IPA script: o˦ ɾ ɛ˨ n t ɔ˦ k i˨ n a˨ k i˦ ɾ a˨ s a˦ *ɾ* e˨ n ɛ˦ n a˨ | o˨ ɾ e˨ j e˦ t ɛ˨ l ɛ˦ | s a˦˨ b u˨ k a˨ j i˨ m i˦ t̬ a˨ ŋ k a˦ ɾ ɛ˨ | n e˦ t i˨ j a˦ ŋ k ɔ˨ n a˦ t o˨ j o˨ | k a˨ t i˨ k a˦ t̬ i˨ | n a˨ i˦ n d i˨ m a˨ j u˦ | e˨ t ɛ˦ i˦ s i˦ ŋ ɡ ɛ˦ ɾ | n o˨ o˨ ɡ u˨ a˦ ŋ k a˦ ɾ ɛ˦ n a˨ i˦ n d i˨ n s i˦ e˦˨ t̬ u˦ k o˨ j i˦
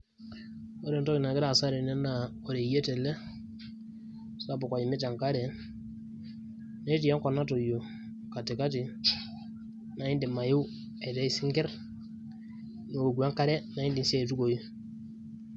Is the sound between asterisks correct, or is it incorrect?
correct